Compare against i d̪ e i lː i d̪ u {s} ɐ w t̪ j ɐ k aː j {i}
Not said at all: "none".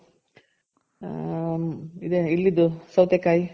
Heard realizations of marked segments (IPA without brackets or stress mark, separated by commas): s, i